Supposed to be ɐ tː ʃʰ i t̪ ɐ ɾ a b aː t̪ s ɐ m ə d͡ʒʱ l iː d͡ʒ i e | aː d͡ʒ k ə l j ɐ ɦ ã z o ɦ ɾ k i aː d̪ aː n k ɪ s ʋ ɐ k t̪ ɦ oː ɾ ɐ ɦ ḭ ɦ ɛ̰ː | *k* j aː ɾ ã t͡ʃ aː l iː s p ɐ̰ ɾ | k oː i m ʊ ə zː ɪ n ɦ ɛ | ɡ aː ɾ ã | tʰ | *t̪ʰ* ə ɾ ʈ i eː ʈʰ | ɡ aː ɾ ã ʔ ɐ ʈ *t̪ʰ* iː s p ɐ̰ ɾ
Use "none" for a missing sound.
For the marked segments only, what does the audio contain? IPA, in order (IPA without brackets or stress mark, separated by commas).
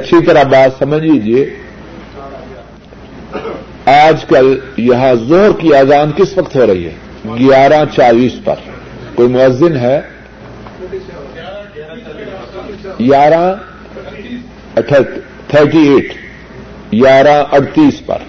ɡ, t̪ʰ, t̪